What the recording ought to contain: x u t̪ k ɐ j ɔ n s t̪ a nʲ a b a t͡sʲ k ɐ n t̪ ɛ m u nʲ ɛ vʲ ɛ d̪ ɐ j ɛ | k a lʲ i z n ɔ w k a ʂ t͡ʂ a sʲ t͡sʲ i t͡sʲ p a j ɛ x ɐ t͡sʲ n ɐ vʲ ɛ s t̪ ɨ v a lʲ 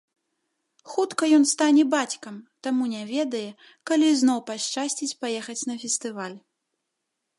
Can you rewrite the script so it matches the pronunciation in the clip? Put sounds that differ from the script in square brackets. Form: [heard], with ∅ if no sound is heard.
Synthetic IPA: x u t̪ k ɐ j ɔ n s t̪ a nʲ [ɛ] b a t͡sʲ k ɐ [m] t̪ [a] m u nʲ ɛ vʲ ɛ d̪ ɐ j ɛ | k a lʲ i z n ɔ w [p] a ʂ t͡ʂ a sʲ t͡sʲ i t͡sʲ p a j ɛ x ɐ t͡sʲ n ɐ [fʲ] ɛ s t̪ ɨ v a lʲ